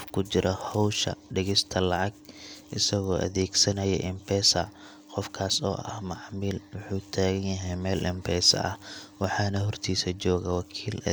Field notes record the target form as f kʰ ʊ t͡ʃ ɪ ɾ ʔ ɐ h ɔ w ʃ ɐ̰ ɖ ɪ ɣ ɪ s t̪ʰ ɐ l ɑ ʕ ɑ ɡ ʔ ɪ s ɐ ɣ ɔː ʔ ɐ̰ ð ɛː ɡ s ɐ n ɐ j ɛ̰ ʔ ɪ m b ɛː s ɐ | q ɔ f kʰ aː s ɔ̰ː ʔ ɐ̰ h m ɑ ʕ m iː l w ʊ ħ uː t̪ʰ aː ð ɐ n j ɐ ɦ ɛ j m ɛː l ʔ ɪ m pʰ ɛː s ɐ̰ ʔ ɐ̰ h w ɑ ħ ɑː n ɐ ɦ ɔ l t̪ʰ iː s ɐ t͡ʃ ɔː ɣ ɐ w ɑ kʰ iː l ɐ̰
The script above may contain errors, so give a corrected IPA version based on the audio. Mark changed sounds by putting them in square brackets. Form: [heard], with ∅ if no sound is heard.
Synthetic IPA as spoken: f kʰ ʊ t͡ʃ ɪ ɾ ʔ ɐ h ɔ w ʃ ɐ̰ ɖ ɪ ɣ ɪ s t̪ʰ ɐ l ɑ ʕ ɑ ɡ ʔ ɪ s ɐ ɣ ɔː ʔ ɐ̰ ð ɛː ɡ s ɐ n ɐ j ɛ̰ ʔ ɪ m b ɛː s ɐ | q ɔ f kʰ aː s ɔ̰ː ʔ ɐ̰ h m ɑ ʕ m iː l w ʊ ħ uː t̪ʰ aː [ɣ] ɐ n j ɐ ɦ ɛ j m ɛː l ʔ ɪ m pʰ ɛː s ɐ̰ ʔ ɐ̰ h w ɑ ħ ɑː n ɐ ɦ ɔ [r] t̪ʰ iː s ɐ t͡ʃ ɔː ɣ ɐ w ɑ kʰ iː l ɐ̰